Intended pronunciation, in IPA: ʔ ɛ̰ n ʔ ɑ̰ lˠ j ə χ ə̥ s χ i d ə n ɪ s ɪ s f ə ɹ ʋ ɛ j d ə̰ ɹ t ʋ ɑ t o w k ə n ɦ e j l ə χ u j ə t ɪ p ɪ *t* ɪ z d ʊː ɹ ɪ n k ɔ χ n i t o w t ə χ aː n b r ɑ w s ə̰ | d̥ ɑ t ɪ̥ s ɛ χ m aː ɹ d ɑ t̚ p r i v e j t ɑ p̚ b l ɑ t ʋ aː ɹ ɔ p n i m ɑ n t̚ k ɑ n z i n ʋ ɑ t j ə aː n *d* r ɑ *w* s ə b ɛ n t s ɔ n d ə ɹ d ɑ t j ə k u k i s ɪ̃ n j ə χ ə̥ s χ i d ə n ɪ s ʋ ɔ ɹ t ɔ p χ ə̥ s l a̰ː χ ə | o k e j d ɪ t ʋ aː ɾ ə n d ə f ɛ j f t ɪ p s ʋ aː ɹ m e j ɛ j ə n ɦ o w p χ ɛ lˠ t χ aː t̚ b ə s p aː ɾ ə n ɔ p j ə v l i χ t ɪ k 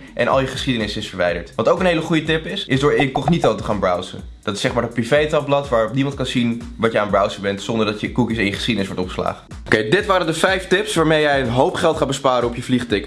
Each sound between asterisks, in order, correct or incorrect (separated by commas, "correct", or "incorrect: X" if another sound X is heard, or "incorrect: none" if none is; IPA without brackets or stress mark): incorrect: s, incorrect: b, correct